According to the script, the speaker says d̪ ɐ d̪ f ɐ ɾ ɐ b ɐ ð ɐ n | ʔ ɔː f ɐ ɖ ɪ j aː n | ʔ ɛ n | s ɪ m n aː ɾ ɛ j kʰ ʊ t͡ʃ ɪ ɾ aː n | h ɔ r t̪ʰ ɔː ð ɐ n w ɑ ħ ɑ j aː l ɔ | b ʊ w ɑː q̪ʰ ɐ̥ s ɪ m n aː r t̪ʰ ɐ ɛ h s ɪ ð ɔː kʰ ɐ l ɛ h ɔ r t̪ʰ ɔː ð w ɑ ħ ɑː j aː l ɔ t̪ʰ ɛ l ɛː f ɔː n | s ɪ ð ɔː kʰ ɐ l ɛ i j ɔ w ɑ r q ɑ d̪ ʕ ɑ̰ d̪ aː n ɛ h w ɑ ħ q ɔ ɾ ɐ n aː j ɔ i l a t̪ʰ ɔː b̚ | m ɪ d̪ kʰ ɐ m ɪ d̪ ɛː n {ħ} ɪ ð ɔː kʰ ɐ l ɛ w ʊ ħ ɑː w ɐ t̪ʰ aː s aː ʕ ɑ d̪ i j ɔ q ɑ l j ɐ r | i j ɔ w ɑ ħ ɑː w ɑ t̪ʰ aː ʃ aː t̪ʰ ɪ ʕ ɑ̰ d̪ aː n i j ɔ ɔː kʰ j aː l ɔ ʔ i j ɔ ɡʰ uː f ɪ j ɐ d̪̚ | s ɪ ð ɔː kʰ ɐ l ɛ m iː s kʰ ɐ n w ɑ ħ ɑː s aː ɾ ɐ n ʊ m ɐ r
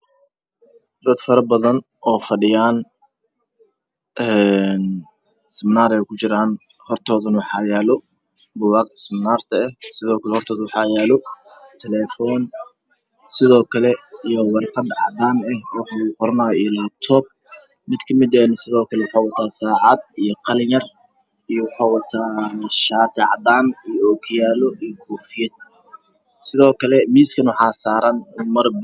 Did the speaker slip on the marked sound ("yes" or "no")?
yes